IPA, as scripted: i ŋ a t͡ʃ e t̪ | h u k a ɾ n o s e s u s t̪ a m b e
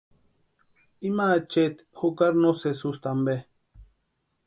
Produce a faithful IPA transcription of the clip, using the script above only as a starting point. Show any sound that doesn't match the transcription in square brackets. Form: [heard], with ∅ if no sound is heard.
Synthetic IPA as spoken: i [m] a t͡ʃ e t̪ | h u k a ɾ n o s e s u s t̪ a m b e